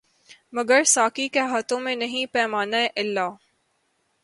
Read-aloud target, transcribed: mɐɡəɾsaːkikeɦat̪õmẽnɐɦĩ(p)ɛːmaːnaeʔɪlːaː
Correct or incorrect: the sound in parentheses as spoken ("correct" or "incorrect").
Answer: correct